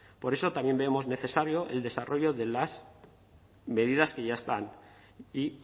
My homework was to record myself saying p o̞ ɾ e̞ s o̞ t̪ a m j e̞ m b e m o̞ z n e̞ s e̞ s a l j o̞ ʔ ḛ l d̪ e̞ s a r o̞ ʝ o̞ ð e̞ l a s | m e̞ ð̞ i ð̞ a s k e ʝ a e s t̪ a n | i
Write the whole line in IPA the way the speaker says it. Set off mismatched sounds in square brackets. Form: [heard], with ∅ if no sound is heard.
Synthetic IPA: p o̞ ɾ e̞ s o̞ t̪ a m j e̞ m b e m o̞ z n e̞ [θ] e̞ s a [ɾ] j o̞ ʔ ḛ l d̪ e̞ s a r o̞ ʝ o̞ ð e̞ l a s | m e̞ ð̞ i ð̞ a s k e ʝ a e s t̪ a n | i